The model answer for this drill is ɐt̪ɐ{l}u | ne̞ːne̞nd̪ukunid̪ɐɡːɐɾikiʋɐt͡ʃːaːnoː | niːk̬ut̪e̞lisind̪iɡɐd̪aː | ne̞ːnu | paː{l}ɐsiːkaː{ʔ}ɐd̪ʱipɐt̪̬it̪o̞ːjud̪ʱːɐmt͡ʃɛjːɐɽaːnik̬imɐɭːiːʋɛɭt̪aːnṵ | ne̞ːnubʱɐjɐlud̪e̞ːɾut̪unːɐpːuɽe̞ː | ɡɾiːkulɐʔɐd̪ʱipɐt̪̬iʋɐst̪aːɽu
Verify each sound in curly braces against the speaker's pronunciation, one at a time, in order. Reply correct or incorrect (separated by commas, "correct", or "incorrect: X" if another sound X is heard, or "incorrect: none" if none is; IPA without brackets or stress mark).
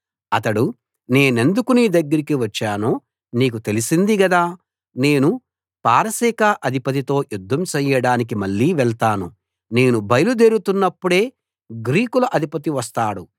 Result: incorrect: ɽ, incorrect: ɾ, correct